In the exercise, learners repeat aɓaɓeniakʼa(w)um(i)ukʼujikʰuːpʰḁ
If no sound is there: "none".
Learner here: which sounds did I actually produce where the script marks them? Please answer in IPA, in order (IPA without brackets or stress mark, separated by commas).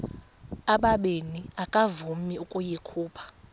v, i